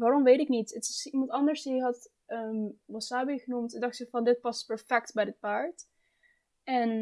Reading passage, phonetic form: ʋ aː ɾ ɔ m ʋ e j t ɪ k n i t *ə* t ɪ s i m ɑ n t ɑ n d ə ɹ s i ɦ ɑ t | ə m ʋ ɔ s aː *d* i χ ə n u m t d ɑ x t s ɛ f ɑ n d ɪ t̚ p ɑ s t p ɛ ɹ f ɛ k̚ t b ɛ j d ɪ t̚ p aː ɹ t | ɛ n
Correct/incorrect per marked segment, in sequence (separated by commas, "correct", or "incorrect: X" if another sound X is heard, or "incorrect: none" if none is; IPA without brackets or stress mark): correct, incorrect: b